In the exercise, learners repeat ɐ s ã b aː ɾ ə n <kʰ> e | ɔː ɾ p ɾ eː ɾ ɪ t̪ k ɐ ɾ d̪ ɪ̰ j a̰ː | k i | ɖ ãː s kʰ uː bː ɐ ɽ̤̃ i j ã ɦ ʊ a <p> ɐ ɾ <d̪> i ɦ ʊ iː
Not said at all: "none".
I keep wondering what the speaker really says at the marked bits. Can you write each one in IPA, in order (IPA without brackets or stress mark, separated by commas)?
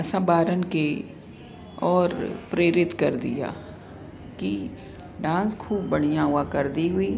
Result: k, k, d̪